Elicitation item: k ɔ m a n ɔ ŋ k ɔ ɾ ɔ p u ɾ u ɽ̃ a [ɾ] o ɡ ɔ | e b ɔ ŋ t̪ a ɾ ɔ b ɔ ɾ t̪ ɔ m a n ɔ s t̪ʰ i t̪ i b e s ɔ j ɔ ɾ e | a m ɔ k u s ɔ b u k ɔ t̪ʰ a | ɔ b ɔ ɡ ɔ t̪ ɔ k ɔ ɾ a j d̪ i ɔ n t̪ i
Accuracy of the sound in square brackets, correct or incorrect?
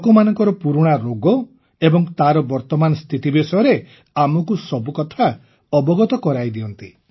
correct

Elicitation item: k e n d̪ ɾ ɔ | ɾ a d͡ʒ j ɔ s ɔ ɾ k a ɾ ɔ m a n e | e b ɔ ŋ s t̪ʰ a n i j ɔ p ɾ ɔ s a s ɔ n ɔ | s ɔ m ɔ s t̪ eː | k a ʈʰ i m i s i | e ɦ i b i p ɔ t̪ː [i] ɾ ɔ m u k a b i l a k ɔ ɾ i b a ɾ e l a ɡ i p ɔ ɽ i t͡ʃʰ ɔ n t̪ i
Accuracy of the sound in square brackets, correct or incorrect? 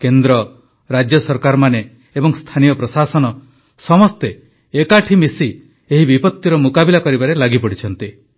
correct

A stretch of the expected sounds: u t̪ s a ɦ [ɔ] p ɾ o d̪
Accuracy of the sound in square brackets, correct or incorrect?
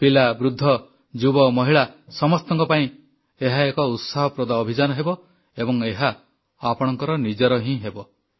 correct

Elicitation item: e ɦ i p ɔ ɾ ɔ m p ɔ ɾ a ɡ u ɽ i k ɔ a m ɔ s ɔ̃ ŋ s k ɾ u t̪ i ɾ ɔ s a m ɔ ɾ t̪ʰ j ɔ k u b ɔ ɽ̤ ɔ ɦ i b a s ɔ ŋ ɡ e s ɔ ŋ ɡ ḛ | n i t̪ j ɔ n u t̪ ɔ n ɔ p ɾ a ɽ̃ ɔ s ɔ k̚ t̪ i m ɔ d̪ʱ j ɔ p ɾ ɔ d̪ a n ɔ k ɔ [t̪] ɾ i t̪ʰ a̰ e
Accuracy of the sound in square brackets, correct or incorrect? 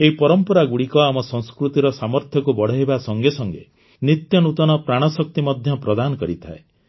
incorrect: none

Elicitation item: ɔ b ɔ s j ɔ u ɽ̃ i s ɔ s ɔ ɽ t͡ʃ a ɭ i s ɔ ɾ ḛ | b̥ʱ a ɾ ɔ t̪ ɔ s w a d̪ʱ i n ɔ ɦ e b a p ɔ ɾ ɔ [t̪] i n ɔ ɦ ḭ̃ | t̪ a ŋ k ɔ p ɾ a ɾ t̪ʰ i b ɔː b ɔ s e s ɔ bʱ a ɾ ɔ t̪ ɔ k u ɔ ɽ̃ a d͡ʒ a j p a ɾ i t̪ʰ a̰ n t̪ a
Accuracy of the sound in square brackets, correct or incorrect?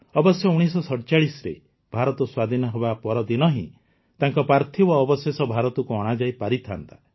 incorrect: d̪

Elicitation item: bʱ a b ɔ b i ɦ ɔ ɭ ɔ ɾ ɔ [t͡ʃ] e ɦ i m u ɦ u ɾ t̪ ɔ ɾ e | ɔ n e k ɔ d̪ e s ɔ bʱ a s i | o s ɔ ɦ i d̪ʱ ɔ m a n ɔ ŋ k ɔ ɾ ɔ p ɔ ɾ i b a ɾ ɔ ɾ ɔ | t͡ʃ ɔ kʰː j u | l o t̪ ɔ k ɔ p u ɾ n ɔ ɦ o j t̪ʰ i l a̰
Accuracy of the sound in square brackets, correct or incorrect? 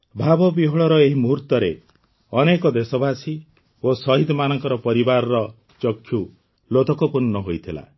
incorrect: none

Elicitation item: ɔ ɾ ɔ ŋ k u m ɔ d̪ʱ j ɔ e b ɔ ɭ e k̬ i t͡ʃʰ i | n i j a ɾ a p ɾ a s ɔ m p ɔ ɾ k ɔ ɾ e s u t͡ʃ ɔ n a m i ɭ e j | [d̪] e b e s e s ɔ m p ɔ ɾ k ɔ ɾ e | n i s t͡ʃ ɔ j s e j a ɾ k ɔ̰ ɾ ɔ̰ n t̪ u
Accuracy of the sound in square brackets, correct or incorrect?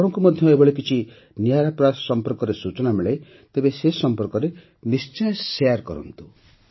incorrect: t̪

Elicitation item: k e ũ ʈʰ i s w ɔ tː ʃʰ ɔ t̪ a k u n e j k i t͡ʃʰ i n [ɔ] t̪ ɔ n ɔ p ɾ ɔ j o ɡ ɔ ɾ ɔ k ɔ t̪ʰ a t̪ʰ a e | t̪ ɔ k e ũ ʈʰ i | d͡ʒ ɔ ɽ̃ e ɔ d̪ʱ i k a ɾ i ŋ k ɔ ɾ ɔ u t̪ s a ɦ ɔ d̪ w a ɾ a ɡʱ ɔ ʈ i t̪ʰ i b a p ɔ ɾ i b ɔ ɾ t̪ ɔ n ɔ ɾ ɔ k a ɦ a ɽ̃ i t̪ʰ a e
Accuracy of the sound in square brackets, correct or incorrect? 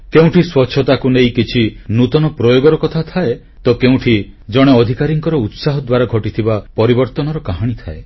incorrect: u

